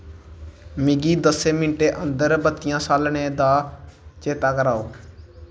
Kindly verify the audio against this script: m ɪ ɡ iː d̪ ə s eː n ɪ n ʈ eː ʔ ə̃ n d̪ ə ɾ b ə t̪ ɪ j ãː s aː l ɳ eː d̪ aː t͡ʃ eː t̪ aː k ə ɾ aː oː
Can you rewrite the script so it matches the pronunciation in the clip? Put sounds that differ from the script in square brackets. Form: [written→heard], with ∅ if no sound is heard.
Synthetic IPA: m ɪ ɡ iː d̪ ə s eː [n→m] ɪ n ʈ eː ʔ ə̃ n d̪ ə ɾ b ə t̪ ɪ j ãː s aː l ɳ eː d̪ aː t͡ʃ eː t̪ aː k ə ɾ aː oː